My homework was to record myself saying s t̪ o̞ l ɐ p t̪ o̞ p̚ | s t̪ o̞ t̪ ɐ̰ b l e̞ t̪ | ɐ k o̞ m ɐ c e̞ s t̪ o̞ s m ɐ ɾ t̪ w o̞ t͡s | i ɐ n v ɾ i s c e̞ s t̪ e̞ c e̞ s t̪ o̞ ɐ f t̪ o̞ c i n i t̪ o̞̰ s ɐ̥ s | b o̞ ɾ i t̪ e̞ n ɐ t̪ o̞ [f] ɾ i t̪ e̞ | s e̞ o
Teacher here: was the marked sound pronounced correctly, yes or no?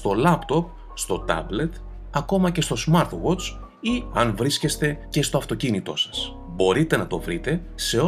no